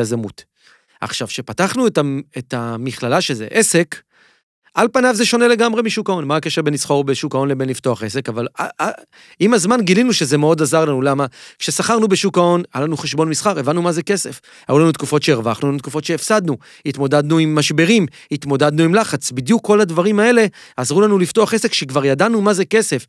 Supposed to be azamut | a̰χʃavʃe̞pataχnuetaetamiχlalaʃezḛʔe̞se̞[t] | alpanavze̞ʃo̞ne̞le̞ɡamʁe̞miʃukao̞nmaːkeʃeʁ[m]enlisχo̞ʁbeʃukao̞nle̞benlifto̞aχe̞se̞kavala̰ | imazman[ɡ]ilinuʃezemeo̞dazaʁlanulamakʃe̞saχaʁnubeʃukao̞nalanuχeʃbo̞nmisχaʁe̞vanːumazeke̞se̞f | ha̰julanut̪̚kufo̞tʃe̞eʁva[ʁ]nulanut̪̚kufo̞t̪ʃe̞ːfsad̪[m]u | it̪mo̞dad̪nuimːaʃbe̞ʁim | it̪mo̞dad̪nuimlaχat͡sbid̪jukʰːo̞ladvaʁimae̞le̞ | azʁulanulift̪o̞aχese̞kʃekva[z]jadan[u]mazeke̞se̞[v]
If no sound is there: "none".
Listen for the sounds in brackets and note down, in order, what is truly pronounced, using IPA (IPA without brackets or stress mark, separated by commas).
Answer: k, b, ɡ, χ, n, ʁ, u, f